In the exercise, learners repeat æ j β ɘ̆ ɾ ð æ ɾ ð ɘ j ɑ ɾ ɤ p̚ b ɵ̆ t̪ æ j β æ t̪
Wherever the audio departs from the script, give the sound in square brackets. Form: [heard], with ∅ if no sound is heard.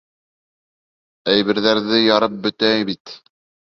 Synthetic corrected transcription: æ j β ɘ̆ ɾ ð æ ɾ ð ɘ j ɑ ɾ ɤ p̚ b ɵ̆ t̪ æ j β [i] t̪